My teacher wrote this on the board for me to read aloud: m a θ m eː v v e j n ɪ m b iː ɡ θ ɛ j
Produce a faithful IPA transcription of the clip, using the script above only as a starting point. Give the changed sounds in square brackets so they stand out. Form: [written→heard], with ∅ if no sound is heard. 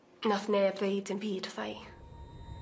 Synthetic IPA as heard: [m→n] a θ [m→n] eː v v e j [n→d] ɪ [m→n] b iː [ɡ→d] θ [ɛ→a] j

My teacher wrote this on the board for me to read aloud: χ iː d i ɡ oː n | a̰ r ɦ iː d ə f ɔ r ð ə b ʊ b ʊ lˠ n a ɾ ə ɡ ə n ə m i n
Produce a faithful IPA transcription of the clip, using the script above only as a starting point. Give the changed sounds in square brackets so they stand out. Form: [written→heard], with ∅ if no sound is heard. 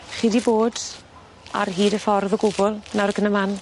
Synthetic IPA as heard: χ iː d i [ɡ→b] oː [n→d] | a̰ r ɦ iː d ə f ɔ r ð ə [b→ɡ] ʊ b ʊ lˠ n a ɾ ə ɡ ə n ə m [i→a] n

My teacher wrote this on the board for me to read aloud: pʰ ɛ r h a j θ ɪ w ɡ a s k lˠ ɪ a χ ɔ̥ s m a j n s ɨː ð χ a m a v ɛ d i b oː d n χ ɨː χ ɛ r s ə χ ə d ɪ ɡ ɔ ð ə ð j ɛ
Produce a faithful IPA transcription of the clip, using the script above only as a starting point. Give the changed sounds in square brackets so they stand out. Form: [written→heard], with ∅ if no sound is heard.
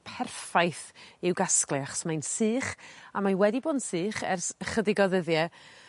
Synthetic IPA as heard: pʰ ɛ r [h→f] a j θ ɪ w ɡ a s k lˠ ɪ a χ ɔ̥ s m a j n s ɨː [ð→∅] χ a m a [v→w] ɛ d i b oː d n [χ→s] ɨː χ ɛ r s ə χ ə d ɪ ɡ ɔ ð ə ð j ɛ

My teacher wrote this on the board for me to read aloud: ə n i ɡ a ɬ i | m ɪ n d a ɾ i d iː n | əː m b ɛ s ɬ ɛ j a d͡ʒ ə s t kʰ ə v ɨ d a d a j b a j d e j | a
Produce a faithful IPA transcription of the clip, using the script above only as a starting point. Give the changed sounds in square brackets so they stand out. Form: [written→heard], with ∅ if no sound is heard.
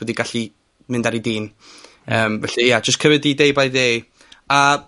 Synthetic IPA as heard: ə [n→d] i ɡ a ɬ i | m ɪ n d a ɾ i d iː n | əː m [b→v] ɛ [s→∅] ɬ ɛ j a d͡ʒ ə s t kʰ ə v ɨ d [a→i] d [a→e] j b a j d e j | a

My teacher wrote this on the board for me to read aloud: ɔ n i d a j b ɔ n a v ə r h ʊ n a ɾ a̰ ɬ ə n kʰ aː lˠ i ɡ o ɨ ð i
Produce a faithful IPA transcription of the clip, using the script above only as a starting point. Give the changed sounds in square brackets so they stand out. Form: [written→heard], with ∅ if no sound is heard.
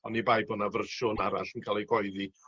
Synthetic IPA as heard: ɔ n i [d→b] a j b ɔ n a v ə r [h→ʃ] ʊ n a ɾ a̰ ɬ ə n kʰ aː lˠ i ɡ [o→ɔ] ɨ ð i

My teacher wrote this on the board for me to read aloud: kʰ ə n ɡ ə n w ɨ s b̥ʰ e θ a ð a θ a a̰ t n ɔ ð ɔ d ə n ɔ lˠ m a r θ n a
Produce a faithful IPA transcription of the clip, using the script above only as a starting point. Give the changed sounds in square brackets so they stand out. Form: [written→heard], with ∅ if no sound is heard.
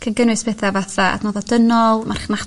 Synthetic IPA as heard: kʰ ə n ɡ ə n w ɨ s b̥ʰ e θ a [ð→v] a θ a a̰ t n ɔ ð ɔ d ə n ɔ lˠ m a r [θ→χ] n a

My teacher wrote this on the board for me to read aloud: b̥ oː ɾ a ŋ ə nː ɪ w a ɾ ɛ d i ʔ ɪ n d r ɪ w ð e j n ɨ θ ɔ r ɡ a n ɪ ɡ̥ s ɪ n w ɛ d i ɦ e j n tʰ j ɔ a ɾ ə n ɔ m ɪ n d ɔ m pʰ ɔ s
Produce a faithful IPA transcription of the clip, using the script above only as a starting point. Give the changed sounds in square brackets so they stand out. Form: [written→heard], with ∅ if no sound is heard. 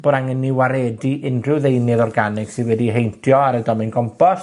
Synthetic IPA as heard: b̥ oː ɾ a ŋ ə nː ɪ w a ɾ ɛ d i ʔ ɪ n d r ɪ w ð e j n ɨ [θ→ð] ɔ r ɡ a n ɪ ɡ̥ s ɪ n w ɛ d i ɦ e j n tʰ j ɔ a ɾ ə [n→d] ɔ m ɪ n [d→ɡ] ɔ m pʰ ɔ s

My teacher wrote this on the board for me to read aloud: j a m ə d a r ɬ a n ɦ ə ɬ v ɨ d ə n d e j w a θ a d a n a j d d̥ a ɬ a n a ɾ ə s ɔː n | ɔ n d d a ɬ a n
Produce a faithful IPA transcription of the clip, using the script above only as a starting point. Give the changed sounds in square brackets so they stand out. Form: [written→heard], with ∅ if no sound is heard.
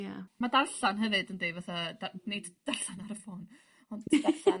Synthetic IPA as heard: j a m [ə→a] d a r ɬ a n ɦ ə [ɬ→∅] v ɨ d ə n d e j [w→v] a θ a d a n [a→e] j d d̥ a ɬ a n a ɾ ə [s→f] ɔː n | ɔ n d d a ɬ a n

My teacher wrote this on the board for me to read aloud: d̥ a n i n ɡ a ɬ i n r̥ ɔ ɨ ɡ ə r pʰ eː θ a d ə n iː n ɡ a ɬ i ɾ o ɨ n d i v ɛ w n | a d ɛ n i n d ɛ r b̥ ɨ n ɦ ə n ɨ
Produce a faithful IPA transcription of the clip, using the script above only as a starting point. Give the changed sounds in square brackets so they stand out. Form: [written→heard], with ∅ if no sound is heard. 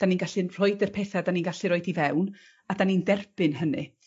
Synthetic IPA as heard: d̥ a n i n ɡ a ɬ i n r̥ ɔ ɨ [ɡ→d] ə r pʰ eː θ a d [ə→a] n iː n ɡ a ɬ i ɾ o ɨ [n→∅] d i v ɛ w n | a d [ɛ→a] n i n d ɛ r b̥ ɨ n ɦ ə n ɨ

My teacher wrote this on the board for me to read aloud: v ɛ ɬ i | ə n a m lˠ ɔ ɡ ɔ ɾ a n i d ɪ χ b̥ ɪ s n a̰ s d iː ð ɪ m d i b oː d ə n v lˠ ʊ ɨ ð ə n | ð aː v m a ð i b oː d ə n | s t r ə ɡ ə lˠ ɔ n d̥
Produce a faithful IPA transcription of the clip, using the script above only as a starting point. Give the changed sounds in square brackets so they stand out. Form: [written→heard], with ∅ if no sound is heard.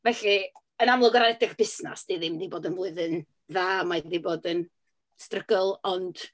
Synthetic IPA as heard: v ɛ ɬ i | ə n a m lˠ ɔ ɡ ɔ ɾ a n [i→ɛ] d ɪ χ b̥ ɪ s n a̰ s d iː ð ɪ m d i b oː d ə n v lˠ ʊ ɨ ð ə n | ð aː [v→∅] m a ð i b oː d ə n | s t r ə ɡ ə lˠ ɔ n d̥

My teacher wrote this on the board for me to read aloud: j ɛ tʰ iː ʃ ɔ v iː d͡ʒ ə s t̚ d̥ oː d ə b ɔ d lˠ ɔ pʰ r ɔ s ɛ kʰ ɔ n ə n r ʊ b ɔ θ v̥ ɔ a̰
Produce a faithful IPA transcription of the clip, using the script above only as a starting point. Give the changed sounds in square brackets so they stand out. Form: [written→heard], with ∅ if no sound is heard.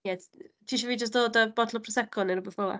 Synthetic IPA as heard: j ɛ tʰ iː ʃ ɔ v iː d͡ʒ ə s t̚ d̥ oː d ə b ɔ d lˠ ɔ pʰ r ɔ s ɛ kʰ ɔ n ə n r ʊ b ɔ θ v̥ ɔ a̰

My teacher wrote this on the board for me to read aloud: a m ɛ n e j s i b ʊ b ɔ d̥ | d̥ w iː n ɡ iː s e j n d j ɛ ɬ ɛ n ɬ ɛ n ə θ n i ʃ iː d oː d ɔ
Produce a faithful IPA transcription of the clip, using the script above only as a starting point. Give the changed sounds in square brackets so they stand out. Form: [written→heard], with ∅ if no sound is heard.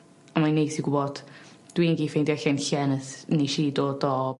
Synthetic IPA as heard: a m [ɛ→a] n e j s i [b→ɡ] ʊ b ɔ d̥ | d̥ w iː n ɡ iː [s→f] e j n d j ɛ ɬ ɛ n ɬ ɛ n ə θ n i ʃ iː d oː d ɔ

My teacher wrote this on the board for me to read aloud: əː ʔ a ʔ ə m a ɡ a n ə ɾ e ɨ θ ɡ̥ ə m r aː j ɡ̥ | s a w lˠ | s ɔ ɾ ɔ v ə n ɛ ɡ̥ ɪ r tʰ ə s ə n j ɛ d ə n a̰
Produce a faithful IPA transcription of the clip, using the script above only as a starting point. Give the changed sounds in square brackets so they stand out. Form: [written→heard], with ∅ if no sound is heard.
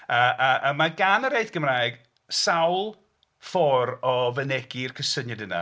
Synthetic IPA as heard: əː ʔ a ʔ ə m a ɡ a n ə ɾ e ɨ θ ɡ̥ ə m r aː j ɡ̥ | s a w lˠ | [s→f] ɔ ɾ ɔ v ə n ɛ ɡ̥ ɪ r [tʰ→kʰ] ə s ə n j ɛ d ə n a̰

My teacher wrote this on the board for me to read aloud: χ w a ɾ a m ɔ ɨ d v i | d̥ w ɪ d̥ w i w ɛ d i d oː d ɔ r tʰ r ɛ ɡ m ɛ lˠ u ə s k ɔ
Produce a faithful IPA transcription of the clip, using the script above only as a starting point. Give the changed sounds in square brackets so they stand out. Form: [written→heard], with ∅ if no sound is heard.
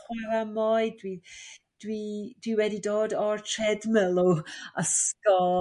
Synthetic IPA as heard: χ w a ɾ a m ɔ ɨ d [v→w] i | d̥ w [ɪ→i] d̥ w i w ɛ d i d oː d ɔ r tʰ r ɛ [ɡ→d] m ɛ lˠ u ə s k ɔ

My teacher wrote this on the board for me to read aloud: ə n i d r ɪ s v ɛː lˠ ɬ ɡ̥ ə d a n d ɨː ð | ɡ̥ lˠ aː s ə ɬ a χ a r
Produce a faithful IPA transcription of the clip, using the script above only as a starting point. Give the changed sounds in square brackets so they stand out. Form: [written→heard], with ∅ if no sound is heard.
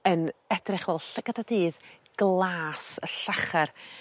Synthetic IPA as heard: ə n [i→ɛ] d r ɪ [s→χ] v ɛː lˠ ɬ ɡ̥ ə d a [n→∅] d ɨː ð | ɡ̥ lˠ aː s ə ɬ a χ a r

